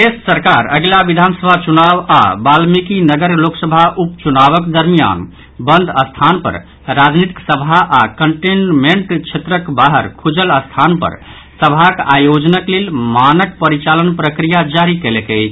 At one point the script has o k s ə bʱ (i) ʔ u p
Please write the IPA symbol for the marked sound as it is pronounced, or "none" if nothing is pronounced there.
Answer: a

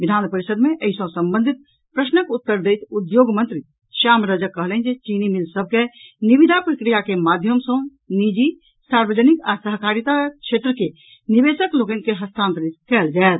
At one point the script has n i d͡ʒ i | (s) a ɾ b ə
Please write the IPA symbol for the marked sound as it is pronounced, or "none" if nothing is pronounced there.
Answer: s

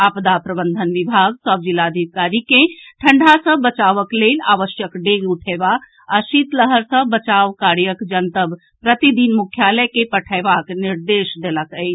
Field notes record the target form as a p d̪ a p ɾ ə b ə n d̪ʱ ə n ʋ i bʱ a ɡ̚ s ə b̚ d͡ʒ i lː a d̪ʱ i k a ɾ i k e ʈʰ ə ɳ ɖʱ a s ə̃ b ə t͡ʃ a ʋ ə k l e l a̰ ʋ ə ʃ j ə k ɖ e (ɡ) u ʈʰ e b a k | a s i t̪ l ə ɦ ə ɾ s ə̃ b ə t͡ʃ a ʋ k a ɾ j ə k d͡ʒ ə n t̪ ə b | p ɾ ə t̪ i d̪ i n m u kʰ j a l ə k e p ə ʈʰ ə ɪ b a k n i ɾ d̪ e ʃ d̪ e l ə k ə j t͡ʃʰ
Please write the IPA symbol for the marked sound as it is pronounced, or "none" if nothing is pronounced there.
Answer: ɡ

